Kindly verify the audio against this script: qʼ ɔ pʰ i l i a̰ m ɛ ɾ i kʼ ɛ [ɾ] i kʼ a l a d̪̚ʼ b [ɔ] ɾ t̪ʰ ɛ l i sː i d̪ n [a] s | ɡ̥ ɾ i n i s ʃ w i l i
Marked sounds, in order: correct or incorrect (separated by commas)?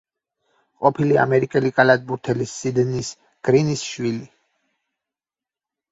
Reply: incorrect, incorrect, incorrect